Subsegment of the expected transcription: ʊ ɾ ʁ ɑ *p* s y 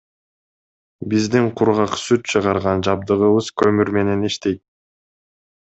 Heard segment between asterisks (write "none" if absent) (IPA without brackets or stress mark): q